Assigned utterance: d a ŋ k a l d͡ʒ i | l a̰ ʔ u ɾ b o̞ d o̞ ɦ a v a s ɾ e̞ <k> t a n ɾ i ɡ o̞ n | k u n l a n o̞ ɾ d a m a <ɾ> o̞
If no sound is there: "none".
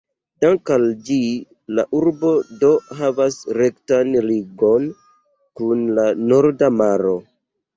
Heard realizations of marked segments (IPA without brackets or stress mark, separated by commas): k, ɾ